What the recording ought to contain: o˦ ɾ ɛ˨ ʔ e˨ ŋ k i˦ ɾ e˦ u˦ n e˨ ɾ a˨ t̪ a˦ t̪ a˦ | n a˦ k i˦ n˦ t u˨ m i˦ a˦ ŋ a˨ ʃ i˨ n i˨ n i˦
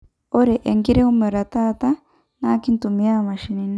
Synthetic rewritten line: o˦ ɾ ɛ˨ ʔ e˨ ŋ ɡ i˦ ɾ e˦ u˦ m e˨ ɾ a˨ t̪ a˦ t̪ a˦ | n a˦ k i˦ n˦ t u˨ m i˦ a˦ m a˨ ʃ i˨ n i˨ n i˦